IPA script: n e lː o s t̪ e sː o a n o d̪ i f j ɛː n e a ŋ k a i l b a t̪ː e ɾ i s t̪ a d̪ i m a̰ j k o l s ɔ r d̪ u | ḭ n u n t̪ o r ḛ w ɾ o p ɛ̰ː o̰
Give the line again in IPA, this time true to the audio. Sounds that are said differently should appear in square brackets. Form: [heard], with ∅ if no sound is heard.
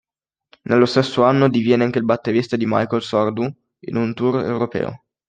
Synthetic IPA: n e lː o s t̪ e sː o a [nː] o d̪ i [v] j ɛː n e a ŋ k [e] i l b a t̪ː e ɾ i s t̪ a d̪ i m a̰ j k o l s ɔ r d̪ u | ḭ n u n t̪ [u] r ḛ w ɾ o p ɛ̰ː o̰